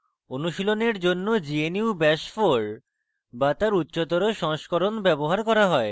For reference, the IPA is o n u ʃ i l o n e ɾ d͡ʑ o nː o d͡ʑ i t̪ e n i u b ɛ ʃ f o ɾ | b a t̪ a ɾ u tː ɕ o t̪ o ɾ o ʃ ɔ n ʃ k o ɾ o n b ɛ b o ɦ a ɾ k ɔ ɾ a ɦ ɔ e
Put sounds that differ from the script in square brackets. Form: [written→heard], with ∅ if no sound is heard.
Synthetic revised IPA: o n u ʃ i l o n e ɾ d͡ʑ o nː o d͡ʑ i [t̪→∅] e n i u b ɛ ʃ f o ɾ | b a t̪ a ɾ u tː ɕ o t̪ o ɾ o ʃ ɔ [n→ŋ] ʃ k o ɾ o n b ɛ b o ɦ a ɾ k ɔ ɾ a ɦ ɔ e